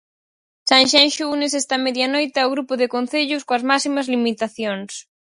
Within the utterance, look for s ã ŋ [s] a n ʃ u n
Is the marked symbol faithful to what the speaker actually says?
no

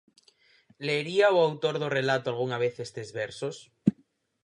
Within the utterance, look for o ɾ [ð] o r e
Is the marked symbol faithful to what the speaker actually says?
yes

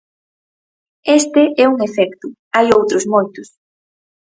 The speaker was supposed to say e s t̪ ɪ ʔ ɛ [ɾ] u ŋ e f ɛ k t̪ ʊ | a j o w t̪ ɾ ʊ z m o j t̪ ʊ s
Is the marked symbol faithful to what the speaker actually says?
no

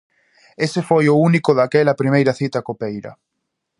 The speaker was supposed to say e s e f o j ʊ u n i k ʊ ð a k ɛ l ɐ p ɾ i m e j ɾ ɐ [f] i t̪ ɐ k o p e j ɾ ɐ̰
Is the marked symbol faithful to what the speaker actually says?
no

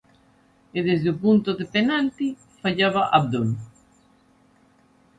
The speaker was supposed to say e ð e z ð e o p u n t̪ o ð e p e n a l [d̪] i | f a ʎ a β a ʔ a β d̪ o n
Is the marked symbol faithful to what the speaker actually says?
no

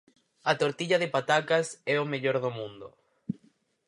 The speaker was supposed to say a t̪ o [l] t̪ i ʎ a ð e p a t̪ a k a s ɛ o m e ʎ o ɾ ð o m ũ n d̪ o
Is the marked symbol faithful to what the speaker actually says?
no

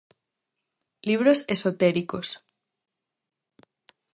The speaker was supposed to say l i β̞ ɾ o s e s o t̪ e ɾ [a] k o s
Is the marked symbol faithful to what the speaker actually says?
no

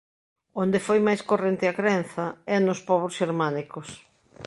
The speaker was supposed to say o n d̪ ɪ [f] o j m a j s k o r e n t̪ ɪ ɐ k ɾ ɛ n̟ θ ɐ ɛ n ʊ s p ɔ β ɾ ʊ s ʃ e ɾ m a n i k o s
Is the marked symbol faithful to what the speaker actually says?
yes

